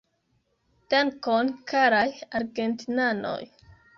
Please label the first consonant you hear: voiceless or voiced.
voiceless